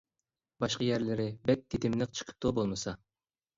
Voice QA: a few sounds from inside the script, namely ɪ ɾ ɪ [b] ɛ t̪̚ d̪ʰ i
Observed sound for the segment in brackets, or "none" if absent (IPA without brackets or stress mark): b